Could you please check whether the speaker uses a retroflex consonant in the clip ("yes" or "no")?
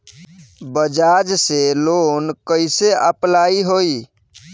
no